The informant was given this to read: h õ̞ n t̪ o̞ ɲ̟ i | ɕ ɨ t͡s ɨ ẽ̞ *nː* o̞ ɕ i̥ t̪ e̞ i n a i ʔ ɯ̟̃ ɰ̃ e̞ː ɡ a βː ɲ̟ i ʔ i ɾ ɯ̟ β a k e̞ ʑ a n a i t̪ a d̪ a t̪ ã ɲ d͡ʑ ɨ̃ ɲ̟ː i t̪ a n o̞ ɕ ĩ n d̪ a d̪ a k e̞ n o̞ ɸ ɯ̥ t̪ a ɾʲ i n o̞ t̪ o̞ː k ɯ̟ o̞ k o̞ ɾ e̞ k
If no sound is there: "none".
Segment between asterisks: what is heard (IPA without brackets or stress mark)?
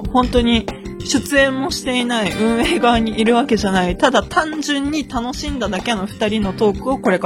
mː